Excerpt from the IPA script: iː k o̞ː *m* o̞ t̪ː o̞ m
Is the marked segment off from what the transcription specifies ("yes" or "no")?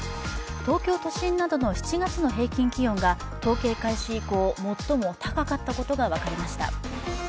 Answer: no